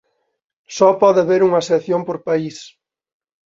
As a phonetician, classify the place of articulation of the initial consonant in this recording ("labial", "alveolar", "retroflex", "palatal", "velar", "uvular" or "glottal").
alveolar